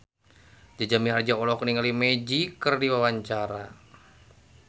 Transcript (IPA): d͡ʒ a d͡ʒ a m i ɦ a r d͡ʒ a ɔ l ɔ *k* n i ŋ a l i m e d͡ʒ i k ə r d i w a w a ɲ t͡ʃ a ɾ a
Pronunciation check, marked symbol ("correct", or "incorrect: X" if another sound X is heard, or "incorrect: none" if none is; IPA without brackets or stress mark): correct